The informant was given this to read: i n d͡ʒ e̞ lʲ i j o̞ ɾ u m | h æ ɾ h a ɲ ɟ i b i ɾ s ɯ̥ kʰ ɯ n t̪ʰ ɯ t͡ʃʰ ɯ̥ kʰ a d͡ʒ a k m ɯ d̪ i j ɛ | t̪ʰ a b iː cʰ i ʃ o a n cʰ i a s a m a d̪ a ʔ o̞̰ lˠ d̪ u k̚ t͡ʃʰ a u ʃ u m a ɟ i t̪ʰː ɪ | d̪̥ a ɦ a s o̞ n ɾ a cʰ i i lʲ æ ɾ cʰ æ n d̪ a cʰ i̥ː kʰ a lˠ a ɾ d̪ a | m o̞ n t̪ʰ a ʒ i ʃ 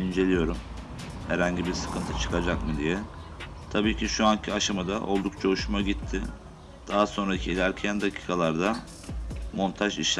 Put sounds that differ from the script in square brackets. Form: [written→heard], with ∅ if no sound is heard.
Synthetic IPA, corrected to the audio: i n d͡ʒ e̞ lʲ i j o̞ ɾ u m | h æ ɾ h a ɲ ɟ i b i ɾ s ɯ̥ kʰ ɯ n t̪ʰ ɯ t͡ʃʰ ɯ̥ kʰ a d͡ʒ a k m ɯ d̪ i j ɛ | t̪ʰ a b iː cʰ i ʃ [o→u] a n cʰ i a [s→ʃ] a m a d̪ a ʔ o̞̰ lˠ d̪ u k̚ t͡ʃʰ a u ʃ u m a ɟ i t̪ʰː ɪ | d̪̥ a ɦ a s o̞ n ɾ a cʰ i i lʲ æ ɾ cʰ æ n d̪ a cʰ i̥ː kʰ a lˠ a ɾ d̪ a | m o̞ n t̪ʰ a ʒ i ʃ